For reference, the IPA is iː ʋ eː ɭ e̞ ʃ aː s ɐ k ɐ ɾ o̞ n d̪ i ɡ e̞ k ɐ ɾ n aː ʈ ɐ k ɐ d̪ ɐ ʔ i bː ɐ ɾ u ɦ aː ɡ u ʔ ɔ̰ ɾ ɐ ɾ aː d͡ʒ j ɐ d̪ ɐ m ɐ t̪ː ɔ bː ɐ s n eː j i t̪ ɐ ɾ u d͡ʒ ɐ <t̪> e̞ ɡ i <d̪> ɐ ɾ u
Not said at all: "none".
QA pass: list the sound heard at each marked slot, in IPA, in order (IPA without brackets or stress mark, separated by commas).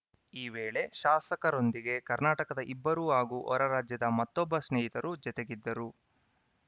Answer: t̪, d̪ː